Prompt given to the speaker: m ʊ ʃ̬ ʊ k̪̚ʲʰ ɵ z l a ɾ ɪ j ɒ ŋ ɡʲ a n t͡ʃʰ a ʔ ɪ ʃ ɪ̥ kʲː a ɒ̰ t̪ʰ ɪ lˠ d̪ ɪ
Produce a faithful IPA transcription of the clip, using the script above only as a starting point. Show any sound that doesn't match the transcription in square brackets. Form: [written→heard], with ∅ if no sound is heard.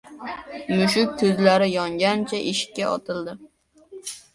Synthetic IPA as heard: m ʊ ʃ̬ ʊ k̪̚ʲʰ ɵ z l a ɾ ɪ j ɒ ŋ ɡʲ a n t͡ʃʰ a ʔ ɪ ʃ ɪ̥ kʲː a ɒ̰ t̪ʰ ɪ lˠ d̪ ɪ

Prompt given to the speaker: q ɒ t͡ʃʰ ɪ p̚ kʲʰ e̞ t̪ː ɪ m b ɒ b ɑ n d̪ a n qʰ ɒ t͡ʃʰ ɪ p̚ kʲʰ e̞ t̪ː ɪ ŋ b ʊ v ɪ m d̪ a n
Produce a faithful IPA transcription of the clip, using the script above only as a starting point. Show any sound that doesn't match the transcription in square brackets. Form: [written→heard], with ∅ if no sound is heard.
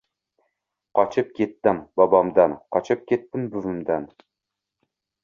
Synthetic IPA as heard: q ɒ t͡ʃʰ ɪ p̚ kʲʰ e̞ t̪ː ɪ m b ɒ b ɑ [n→m] d̪ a n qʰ ɒ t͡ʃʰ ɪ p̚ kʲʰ e̞ t̪ː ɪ [ŋ→m] b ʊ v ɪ m d̪ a n

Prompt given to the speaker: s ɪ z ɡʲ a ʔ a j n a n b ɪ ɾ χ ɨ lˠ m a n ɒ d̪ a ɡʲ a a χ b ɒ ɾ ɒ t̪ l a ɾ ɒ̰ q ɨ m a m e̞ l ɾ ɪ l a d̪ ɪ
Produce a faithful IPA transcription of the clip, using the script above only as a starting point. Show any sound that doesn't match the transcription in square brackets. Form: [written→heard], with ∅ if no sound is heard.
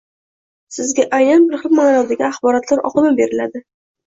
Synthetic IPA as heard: s ɪ z ɡʲ a ʔ a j n a n b ɪ ɾ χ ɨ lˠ m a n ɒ d̪ a ɡʲ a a χ b ɒ ɾ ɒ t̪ l a ɾ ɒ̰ q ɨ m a [m→b] e̞ [l→∅] ɾ ɪ l a d̪ ɪ

